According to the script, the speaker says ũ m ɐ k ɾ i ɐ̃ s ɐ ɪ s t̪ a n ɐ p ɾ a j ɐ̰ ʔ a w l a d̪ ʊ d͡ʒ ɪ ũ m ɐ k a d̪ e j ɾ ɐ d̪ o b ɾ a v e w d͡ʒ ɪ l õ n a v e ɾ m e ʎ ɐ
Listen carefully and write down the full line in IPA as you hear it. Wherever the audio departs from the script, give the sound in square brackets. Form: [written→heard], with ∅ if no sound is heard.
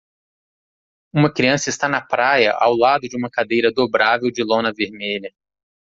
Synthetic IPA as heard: ũ m ɐ k ɾ i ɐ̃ s ɐ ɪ s t̪ a n ɐ p ɾ a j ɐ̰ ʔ a w l a d̪ ʊ d͡ʒ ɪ ũ m ɐ k a d̪ e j ɾ ɐ d̪ o b ɾ a v e w d͡ʒ ɪ l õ n [a→ɐ] v e ɾ m e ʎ ɐ